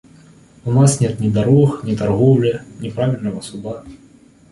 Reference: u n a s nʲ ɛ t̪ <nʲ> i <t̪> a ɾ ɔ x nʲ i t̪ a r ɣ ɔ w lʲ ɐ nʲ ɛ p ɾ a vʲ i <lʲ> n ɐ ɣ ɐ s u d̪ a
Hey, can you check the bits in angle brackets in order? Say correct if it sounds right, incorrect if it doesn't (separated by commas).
correct, incorrect, correct